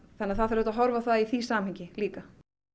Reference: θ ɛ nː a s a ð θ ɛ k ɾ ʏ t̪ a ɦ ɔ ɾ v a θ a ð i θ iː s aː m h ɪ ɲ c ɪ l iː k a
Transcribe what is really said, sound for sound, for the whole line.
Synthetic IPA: θ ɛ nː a θ a ð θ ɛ ɾ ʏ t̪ a ɦ ɔ ɾ v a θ a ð i θ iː s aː m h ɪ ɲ c ɪ l iː k a